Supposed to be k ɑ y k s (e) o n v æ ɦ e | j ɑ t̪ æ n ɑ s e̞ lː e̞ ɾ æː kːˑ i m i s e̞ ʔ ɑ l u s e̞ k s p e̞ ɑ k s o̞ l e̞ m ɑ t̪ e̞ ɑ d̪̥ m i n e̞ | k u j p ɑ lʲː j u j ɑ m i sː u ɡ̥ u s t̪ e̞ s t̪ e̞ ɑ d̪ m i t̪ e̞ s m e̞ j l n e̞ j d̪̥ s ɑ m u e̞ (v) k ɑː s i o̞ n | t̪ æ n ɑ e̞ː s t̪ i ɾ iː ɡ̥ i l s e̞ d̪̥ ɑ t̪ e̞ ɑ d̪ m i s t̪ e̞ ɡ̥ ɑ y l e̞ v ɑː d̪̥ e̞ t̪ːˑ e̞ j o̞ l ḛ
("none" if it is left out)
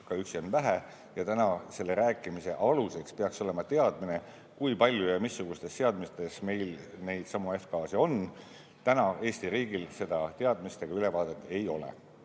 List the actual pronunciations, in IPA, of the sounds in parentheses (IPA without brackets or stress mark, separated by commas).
i, f